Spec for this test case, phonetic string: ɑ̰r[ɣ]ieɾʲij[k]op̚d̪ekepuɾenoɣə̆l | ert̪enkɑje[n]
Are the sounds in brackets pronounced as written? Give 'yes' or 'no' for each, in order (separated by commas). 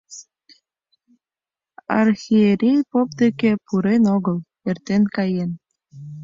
no, no, yes